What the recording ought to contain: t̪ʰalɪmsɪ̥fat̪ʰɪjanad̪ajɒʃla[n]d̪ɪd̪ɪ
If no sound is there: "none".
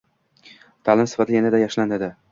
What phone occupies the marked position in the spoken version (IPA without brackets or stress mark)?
n